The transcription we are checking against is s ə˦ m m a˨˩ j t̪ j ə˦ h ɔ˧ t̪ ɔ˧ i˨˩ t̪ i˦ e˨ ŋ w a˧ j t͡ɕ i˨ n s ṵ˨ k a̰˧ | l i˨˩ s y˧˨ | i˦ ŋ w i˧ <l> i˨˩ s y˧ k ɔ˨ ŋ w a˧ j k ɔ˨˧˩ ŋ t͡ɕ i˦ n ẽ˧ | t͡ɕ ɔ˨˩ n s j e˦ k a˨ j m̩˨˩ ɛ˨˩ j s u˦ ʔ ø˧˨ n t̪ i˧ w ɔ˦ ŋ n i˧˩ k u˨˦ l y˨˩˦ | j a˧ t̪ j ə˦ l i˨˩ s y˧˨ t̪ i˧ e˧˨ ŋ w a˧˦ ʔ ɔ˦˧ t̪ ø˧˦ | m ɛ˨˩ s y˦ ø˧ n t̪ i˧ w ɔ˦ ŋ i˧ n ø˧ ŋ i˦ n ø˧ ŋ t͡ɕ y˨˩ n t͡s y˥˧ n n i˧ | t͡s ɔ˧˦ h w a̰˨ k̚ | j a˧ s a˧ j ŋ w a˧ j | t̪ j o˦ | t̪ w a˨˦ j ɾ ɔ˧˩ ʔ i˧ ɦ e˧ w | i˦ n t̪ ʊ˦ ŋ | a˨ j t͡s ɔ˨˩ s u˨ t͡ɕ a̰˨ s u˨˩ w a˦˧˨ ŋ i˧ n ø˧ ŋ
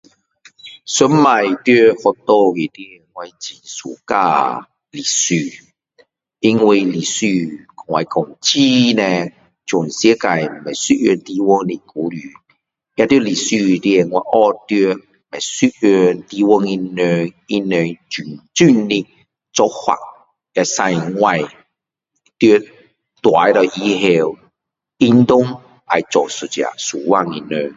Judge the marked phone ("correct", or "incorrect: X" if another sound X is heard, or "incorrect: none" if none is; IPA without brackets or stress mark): correct